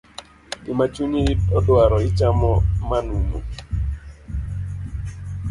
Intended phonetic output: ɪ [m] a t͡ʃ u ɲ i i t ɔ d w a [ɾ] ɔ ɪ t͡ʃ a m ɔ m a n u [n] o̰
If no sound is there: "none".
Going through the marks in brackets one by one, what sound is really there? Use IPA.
m, ɾ, m

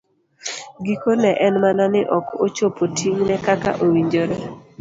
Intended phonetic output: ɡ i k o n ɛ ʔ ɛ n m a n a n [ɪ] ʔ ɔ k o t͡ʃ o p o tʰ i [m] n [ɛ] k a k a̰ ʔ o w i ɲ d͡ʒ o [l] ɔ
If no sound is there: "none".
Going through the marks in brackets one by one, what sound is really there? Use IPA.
ɪ, ŋ, ɛ, ɾ

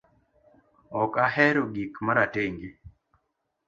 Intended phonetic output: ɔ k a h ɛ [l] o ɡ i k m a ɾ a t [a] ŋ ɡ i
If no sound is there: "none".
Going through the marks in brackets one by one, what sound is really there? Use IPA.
ɾ, e

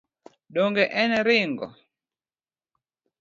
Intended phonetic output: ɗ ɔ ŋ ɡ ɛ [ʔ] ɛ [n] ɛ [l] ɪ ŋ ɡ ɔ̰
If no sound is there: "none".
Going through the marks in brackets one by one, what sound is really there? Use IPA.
ʔ, n, ɾ

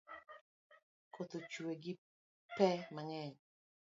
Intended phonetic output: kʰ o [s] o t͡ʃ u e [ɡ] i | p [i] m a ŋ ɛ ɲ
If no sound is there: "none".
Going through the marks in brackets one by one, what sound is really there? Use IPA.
t, ɡ, ɛ

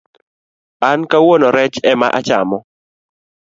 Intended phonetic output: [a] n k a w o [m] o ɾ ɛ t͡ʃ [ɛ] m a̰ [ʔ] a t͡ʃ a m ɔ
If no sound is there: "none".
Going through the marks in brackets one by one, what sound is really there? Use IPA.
a, n, ɛ, ʔ

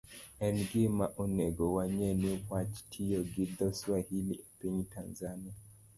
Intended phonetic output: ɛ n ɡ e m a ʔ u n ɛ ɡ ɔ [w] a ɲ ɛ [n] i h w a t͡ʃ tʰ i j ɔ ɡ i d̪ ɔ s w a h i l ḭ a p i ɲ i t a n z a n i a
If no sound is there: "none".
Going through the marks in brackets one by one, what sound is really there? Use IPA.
w, n

